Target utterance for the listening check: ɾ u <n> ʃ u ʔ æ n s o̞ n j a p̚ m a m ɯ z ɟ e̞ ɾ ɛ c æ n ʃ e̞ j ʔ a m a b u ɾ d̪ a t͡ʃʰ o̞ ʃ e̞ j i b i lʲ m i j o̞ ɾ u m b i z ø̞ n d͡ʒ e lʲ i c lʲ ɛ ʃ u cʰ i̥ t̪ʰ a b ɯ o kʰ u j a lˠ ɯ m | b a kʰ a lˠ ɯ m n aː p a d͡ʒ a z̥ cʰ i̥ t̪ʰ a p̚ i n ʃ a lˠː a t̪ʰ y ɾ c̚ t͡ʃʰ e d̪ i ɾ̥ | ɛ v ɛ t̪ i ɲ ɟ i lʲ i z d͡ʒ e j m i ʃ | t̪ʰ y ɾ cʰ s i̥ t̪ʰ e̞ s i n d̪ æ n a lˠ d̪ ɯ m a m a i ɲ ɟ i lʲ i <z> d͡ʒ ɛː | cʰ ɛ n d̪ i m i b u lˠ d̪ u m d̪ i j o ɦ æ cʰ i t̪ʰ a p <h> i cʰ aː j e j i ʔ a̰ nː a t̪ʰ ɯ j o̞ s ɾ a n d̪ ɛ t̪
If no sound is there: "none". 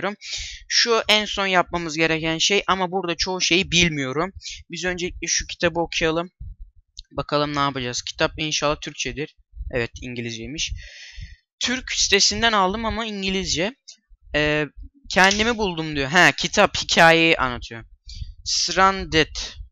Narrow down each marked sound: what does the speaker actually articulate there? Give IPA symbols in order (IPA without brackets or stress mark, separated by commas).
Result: m, z, h